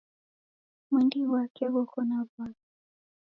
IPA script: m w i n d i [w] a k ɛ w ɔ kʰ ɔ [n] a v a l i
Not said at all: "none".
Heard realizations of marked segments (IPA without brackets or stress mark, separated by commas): w, n